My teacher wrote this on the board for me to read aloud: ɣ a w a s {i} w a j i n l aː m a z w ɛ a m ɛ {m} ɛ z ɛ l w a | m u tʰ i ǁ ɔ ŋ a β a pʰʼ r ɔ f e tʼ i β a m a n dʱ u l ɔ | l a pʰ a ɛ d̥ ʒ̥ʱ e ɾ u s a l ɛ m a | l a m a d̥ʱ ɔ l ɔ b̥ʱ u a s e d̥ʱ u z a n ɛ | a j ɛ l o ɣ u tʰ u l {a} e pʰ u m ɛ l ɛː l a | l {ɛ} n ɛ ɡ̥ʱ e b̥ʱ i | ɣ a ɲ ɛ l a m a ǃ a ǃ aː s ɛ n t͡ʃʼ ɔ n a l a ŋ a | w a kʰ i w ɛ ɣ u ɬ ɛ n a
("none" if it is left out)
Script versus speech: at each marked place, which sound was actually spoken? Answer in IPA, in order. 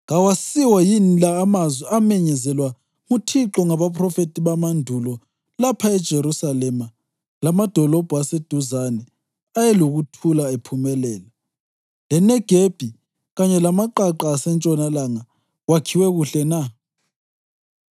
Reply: i, ɲ, a, ɛ

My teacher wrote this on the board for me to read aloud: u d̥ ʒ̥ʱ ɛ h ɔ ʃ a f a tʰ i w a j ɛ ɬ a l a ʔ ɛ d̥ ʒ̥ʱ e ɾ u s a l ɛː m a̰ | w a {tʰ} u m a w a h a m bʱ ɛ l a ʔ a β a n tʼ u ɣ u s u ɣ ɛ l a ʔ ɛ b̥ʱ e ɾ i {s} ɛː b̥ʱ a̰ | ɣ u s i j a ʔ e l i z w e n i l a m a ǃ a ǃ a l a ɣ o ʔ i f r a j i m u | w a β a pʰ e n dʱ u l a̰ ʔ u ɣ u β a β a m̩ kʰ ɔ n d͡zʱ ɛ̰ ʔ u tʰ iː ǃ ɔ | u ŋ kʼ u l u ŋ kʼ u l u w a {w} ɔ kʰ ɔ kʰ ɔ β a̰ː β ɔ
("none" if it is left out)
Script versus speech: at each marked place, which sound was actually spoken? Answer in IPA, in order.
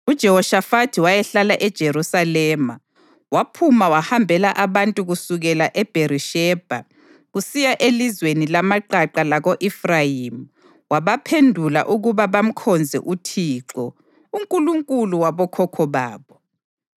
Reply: pʰ, ʃ, β

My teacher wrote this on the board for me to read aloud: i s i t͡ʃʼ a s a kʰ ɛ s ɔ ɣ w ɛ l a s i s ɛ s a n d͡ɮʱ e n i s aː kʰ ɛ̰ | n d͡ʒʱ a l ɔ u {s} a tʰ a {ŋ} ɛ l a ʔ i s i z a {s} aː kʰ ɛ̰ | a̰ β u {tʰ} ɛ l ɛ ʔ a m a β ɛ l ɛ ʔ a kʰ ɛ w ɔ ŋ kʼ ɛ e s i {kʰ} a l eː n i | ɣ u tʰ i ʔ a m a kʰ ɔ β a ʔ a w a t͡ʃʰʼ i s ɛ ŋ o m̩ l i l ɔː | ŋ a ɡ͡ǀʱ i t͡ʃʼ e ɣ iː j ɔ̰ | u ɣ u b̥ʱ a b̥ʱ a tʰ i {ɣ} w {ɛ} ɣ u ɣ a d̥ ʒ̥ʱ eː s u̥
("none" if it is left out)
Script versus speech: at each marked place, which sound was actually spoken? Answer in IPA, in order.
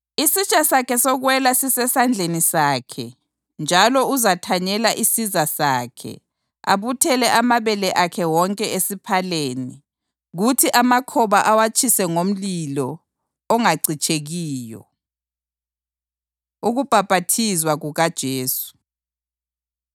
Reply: z, ɲ, s, tʰ, pʰ, z, a

